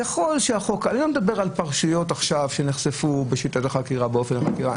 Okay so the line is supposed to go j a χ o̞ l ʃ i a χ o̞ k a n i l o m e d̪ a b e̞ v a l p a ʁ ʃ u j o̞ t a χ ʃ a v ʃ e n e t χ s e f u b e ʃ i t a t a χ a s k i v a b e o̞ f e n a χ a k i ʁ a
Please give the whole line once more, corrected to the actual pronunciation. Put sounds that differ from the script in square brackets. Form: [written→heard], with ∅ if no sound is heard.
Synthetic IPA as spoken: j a χ o̞ l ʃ [i→e] a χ o̞ k a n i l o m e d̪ a b e̞ [v→ʁ] a l p a ʁ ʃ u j o̞ t a χ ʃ a v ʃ e n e [t→∅] χ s e f u b e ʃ i t a t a χ a [s→∅] k i [v→ʁ] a b e o̞ f e n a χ a k i ʁ a